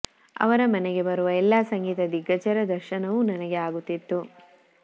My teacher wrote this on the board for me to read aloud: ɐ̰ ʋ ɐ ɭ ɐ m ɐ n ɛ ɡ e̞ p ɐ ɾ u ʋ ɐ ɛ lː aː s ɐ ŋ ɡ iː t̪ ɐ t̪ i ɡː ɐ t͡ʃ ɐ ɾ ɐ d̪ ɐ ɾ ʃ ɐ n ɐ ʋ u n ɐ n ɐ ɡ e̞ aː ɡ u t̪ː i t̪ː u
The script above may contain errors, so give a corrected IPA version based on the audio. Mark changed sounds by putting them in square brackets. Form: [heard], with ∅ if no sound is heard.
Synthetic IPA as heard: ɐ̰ ʋ ɐ [ɾ] ɐ m ɐ n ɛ ɡ e̞ [b] ɐ ɾ u ʋ ɐ ɛ lː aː s ɐ ŋ ɡ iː t̪ ɐ [d̪] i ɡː ɐ t͡ʃ ɐ ɾ ɐ d̪ ɐ ɾ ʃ ɐ n ɐ ʋ u n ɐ n ɐ ɡ e̞ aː ɡ u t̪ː i t̪ː u